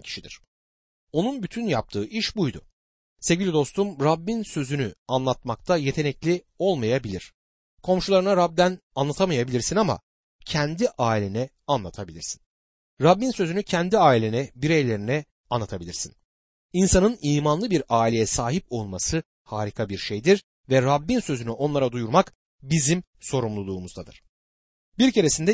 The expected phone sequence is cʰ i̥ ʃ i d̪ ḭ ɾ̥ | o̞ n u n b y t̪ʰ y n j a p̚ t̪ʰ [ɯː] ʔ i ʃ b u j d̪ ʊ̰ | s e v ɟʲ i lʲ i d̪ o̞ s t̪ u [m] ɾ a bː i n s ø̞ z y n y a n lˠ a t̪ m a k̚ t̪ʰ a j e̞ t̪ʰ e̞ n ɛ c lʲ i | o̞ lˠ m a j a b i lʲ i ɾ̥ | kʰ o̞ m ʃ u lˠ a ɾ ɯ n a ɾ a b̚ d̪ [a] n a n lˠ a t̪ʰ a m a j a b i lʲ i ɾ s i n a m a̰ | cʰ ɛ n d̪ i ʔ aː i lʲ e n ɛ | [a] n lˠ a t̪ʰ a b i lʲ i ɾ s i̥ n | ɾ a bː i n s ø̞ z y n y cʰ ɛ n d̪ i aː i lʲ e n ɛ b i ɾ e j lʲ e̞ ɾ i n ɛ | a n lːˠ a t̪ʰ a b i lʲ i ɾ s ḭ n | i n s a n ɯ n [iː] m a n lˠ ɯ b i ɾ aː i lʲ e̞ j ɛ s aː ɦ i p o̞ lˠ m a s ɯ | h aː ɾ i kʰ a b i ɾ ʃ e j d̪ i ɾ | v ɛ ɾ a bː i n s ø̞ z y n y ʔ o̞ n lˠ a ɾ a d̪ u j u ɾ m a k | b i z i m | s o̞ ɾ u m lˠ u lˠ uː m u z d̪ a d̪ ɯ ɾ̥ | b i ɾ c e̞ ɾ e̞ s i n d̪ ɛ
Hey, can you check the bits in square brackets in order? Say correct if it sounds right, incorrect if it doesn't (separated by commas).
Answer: correct, correct, incorrect, correct, correct